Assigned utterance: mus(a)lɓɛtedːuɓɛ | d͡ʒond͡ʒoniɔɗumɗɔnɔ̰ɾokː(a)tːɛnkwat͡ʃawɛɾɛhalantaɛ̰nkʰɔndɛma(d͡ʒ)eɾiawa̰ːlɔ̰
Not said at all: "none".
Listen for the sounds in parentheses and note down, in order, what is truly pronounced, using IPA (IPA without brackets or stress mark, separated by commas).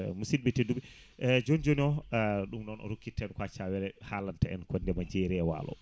i, i, d͡ʒ